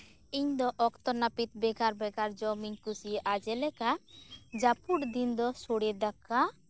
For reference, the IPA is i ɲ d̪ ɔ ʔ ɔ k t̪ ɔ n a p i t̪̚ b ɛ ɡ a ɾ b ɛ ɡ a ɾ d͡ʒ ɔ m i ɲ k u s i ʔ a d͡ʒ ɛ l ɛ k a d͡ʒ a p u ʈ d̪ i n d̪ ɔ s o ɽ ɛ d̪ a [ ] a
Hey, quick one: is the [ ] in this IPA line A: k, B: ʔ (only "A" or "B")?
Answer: A